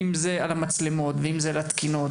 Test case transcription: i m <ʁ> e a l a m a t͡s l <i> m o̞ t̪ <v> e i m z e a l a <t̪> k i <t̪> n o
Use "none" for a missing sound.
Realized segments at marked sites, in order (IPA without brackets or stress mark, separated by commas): z, e, v, t̪, none